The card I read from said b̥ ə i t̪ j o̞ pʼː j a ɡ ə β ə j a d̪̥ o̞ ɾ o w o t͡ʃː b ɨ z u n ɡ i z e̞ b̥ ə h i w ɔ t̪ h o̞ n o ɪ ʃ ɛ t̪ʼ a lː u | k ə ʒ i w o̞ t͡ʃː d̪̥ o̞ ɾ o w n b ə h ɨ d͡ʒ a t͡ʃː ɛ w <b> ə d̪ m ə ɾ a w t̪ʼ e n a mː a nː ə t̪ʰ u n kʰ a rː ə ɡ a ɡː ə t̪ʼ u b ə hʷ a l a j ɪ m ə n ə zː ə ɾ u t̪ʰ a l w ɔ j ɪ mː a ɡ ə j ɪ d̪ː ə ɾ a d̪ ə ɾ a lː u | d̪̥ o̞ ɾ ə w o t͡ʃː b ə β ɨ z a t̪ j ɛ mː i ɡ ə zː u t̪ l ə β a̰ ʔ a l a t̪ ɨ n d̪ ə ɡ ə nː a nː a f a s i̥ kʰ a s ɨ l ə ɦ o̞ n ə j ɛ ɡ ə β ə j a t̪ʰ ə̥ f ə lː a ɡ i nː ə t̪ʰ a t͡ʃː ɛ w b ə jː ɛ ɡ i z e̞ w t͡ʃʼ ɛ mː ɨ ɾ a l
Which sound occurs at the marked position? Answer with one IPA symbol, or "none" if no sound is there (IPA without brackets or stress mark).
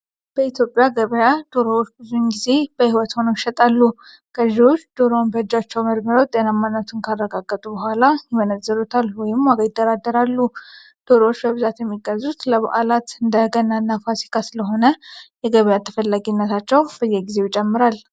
m